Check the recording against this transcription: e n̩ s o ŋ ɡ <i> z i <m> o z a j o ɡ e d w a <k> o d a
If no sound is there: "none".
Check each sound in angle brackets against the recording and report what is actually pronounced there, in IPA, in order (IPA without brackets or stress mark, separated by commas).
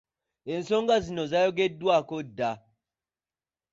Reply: a, n, k